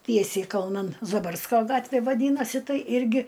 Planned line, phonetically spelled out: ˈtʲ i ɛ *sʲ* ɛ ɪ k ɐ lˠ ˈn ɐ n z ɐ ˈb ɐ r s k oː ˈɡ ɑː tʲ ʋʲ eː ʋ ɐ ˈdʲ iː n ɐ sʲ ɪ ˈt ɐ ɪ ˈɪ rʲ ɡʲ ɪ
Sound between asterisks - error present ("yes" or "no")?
no